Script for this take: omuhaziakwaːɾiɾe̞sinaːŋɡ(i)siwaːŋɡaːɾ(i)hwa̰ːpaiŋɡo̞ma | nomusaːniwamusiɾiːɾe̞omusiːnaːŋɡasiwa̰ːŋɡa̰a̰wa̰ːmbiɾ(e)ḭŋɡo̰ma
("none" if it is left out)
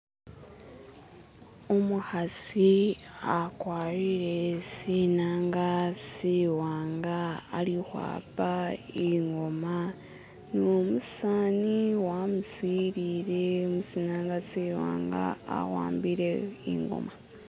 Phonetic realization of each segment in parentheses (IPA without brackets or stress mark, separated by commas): a, i, e